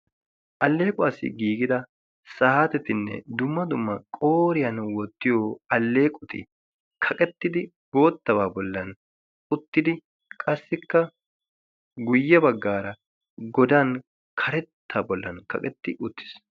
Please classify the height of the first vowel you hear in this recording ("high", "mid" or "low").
low